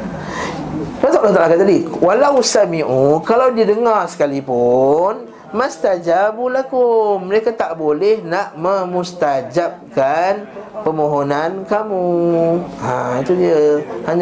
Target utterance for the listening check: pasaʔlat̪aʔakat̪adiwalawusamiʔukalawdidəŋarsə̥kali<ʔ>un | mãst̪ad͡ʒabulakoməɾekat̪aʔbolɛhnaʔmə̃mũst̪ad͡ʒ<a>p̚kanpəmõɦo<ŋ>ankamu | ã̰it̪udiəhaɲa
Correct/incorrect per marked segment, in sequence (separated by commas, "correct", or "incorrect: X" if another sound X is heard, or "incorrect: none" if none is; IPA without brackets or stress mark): incorrect: p, correct, incorrect: n